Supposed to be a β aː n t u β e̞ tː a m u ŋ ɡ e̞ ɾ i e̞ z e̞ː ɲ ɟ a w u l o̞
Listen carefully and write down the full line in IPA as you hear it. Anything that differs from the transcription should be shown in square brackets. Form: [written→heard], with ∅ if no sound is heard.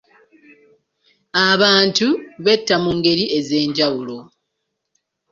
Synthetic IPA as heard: a β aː n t u β e̞ tː a m u ŋ ɡ e̞ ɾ i e̞ z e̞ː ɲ ɟ a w u l o̞